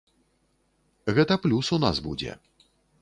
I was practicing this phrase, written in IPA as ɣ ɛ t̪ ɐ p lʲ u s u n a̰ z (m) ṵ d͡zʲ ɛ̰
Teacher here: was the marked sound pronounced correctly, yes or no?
no